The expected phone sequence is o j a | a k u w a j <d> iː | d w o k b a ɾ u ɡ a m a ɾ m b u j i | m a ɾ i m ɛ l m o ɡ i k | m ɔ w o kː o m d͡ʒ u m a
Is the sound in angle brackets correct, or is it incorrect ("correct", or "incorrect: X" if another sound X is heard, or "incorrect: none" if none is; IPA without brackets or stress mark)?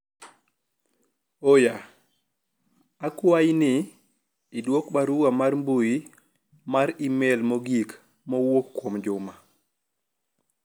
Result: incorrect: n